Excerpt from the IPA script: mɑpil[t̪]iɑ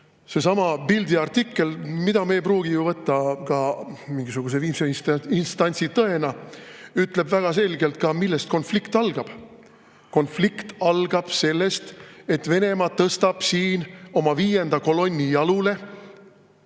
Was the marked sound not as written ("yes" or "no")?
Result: yes